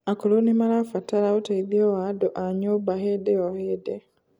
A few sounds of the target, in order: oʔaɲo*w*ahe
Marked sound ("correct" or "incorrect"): incorrect